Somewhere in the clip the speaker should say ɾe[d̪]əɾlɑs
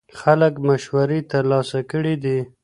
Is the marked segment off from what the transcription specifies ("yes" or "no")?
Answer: yes